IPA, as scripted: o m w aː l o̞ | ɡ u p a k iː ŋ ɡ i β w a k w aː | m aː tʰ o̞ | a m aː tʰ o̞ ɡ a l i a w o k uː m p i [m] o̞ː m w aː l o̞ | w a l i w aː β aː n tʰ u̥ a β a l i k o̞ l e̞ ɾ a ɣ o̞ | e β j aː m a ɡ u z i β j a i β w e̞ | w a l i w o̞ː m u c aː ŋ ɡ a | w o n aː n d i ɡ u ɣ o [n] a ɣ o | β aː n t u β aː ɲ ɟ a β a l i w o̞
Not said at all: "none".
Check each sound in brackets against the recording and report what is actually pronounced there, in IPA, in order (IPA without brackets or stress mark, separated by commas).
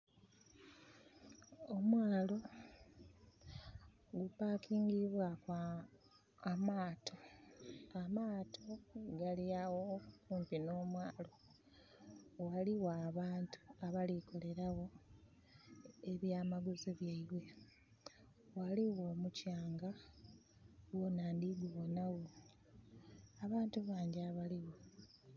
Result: n, n